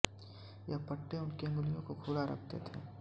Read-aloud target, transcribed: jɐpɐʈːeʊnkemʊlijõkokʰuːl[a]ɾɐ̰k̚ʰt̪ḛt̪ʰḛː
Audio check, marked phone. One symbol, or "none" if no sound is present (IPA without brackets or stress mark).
a